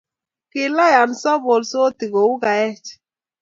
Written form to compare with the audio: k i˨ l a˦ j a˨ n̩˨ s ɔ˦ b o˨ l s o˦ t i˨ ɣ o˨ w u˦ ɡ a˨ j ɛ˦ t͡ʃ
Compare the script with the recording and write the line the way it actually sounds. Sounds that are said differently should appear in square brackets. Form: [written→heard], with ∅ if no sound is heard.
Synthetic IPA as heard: k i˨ l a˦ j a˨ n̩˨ s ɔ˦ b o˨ l s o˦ t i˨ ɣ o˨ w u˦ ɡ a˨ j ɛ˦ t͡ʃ